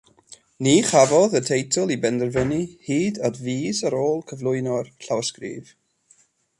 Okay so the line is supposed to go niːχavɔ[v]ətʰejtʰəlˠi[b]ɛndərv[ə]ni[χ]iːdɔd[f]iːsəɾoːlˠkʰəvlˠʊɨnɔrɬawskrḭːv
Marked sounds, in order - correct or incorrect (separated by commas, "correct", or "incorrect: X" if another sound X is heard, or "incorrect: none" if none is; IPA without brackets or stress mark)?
incorrect: ð, correct, correct, incorrect: h, incorrect: v